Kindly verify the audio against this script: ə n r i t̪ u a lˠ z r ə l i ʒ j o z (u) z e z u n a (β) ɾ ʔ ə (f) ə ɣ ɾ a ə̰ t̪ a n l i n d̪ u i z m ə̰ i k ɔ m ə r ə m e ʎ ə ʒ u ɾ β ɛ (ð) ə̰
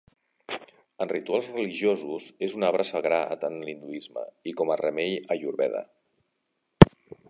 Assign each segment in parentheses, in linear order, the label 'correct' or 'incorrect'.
correct, correct, incorrect, correct

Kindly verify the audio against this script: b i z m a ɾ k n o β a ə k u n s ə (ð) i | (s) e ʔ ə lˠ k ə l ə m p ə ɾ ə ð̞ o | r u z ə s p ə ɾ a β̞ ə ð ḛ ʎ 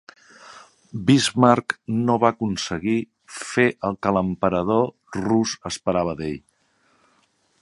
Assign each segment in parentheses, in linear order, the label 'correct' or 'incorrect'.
incorrect, incorrect

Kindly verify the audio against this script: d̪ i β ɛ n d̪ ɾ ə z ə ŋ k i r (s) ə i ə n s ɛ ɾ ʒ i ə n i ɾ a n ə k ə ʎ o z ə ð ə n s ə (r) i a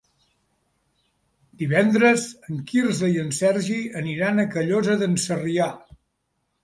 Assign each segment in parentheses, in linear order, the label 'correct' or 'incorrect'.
incorrect, correct

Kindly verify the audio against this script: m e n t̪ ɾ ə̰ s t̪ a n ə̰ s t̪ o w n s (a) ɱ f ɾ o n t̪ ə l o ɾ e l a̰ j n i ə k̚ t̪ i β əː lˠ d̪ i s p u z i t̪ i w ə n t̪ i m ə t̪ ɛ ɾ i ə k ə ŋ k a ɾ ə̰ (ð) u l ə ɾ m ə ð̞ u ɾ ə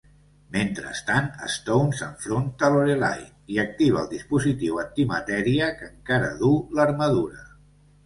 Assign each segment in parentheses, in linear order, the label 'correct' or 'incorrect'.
incorrect, correct

